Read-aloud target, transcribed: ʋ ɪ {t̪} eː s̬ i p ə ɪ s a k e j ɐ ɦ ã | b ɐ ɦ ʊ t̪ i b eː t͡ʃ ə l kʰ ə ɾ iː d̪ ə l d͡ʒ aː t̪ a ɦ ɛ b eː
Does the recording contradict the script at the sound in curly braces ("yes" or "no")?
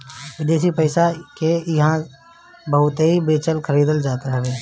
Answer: yes